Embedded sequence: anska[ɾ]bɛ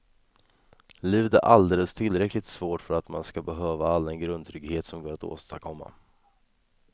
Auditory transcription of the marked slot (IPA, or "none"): none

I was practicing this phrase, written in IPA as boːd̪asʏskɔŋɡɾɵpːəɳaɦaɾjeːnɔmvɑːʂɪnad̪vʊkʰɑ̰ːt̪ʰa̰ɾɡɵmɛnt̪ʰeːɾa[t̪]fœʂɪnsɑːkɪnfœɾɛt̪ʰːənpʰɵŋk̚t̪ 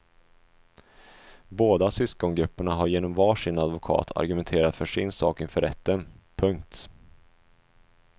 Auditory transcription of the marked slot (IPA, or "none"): t̪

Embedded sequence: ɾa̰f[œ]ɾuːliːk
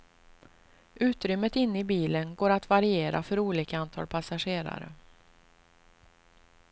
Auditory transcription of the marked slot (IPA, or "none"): œ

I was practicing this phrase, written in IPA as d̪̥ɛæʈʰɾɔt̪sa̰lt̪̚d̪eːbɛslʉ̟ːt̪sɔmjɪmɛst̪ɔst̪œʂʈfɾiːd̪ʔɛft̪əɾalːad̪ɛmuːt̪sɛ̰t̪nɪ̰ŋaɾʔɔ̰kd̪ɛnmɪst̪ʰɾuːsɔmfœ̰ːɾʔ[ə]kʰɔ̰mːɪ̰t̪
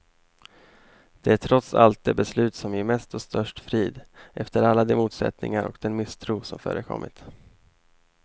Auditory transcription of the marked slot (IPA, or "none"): ə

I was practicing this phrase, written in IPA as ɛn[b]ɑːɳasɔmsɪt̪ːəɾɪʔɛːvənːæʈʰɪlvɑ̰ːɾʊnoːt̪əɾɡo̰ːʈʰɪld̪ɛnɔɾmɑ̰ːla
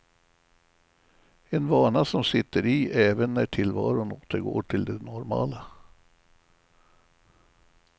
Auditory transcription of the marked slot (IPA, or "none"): v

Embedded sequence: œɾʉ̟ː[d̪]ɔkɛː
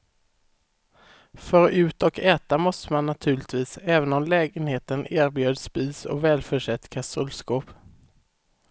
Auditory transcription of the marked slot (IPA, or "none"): t̪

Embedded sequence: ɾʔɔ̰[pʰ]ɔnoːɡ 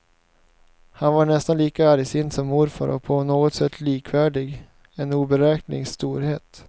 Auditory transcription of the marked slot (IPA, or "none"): pʰ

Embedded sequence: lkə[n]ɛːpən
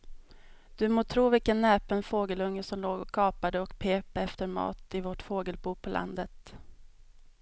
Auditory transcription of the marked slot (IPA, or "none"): nː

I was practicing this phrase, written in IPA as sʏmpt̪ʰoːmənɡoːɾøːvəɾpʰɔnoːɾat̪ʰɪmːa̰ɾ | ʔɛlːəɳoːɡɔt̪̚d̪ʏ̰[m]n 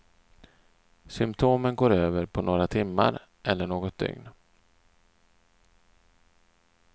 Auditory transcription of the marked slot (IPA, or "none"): ŋ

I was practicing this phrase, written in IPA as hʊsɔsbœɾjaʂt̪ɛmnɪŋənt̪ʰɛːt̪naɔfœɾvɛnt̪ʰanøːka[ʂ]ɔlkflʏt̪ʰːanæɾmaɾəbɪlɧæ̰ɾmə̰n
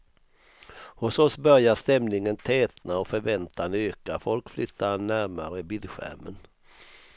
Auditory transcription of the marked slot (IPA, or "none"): f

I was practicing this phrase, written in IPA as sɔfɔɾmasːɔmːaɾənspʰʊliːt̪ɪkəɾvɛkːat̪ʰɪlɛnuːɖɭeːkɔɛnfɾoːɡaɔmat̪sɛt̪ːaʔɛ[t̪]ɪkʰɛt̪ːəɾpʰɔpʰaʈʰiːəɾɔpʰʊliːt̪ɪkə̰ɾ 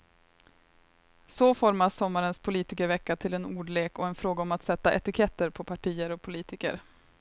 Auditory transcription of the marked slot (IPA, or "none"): t̪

